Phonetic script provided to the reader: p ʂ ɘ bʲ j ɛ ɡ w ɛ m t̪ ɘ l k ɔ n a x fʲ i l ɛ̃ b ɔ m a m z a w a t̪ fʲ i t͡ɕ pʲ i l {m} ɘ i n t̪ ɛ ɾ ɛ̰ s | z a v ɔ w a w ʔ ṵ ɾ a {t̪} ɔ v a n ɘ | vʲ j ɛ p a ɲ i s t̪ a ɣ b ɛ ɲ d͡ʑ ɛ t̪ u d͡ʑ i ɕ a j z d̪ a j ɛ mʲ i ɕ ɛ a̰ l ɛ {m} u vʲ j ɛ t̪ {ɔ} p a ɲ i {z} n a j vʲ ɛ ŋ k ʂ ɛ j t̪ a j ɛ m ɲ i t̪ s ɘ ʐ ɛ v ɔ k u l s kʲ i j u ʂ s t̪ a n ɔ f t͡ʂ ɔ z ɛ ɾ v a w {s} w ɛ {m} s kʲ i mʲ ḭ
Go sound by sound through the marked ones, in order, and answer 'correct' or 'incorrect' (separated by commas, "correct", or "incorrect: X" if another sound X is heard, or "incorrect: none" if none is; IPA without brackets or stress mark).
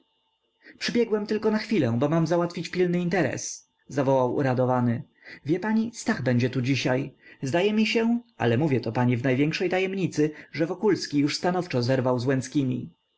incorrect: n, incorrect: d̪, correct, correct, incorrect: v, incorrect: z, incorrect: n